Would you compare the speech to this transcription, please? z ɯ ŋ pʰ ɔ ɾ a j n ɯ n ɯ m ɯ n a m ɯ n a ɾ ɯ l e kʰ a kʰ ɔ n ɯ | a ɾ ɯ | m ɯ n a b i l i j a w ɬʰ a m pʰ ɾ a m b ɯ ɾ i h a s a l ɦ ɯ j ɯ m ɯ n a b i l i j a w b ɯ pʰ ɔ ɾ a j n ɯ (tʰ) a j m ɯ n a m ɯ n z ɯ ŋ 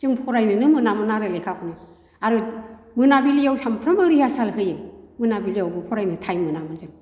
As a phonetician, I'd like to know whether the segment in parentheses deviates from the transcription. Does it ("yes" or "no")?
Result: no